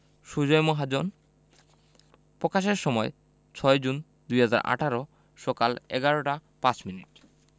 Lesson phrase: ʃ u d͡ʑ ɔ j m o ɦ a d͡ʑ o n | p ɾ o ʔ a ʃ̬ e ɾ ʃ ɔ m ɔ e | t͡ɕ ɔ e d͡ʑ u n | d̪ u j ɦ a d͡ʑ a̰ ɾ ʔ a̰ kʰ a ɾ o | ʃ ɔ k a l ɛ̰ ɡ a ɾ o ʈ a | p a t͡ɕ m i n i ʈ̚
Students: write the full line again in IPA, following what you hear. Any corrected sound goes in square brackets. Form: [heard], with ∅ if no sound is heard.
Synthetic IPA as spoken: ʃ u d͡ʑ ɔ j m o ɦ a d͡ʑ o n | p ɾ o [k] a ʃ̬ e ɾ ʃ ɔ m ɔ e | [t͡ɕʰ] ɔ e d͡ʑ u n | d̪ u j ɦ a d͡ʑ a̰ ɾ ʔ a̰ [ʈʰ] a ɾ o | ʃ ɔ k a l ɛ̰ ɡ a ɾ o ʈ a | p a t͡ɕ m i n i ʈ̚